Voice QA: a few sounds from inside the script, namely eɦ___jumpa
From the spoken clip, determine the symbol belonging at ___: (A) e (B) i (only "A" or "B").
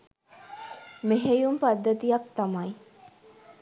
A